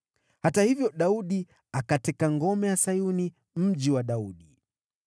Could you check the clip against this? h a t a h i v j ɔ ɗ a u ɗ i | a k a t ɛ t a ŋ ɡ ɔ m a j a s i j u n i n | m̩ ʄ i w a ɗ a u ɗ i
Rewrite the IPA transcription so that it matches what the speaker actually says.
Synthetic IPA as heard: h a t a h i v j ɔ ɗ a u ɗ i | a k a t ɛ k a ŋ ɡ ɔ m ɛ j a s a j u n i | m̩ ʄ i w a ɗ a u ɗ i